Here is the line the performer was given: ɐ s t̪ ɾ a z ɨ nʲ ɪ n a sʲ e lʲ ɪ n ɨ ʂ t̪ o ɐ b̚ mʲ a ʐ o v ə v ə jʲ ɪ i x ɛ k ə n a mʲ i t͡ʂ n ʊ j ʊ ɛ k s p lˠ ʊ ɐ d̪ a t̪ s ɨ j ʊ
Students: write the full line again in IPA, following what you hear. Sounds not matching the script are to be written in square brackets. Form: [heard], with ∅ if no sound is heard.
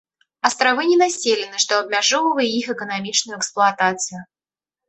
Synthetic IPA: ɐ s t̪ ɾ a [v] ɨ nʲ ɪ n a sʲ e lʲ ɪ n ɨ ʂ t̪ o ɐ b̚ mʲ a ʐ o v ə v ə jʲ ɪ i x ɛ k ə n a mʲ i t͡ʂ n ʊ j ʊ ɛ k s p lˠ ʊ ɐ [t̪] a t̪ s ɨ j ʊ